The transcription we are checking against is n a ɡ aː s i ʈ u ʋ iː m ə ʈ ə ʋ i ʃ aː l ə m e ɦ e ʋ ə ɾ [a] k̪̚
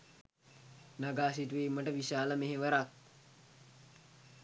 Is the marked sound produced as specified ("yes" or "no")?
yes